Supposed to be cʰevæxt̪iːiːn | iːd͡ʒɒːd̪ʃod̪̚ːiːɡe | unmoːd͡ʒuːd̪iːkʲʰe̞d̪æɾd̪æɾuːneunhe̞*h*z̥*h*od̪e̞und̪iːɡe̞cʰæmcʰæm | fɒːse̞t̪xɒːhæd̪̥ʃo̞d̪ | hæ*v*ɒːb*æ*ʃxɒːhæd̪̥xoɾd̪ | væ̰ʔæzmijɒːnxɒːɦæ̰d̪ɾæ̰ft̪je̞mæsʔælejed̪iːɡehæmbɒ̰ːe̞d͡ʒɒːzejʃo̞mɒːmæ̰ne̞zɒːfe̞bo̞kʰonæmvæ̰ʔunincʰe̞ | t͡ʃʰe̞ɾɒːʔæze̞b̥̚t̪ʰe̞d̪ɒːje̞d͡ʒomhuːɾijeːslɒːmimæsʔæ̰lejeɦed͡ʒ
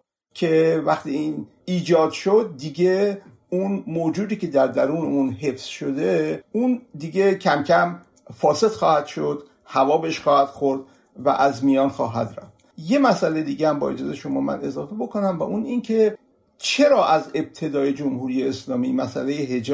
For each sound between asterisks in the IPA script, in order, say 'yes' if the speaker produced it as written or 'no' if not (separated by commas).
no, no, yes, no